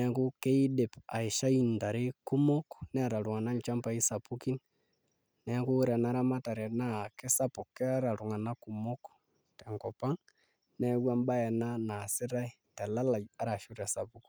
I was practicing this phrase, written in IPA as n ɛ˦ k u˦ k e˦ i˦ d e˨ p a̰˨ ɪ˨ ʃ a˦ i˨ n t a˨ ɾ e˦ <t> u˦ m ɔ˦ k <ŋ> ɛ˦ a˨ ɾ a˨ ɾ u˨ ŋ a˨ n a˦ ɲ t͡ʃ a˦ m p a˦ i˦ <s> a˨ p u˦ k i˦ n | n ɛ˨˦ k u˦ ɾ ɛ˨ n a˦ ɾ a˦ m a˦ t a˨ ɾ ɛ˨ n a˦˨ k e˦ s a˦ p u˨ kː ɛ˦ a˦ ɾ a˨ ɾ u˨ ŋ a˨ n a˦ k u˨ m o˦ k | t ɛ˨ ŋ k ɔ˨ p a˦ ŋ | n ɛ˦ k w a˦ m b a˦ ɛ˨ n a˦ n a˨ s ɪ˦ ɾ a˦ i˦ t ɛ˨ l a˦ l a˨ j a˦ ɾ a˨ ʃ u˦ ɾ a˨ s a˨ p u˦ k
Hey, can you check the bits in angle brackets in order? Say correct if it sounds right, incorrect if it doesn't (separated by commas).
incorrect, incorrect, correct